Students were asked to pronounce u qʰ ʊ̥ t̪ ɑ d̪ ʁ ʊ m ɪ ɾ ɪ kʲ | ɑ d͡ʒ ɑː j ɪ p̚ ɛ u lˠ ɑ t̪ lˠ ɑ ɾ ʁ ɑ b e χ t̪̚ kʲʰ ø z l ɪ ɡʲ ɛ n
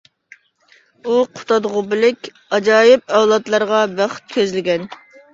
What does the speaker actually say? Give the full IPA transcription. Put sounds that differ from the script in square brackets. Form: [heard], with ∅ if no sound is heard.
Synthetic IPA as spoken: u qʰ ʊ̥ t̪ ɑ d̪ ʁ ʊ [b] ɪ [l] ɪ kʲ | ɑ d͡ʒ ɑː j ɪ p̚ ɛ [w] lˠ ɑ t̪ lˠ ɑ ɾ ʁ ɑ b [æ] χ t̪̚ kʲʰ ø z l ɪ ɡʲ ɛ n